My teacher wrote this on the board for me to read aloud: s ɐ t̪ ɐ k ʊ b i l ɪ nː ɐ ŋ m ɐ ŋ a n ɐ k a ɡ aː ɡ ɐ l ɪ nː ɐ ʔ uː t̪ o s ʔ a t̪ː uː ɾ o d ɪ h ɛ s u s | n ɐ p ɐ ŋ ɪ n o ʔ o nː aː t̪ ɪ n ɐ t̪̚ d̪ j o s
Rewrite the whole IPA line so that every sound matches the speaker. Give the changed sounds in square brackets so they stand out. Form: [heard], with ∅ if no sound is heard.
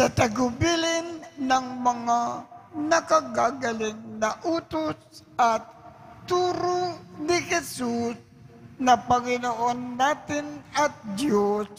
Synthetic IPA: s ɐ t̪ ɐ [ɡ] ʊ b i l ɪ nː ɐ ŋ m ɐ ŋ a n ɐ k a ɡ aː ɡ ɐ l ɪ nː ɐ ʔ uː t̪ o s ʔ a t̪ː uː ɾ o [n] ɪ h ɛ s u s | n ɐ p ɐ ŋ ɪ n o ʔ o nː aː t̪ ɪ n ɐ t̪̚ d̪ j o s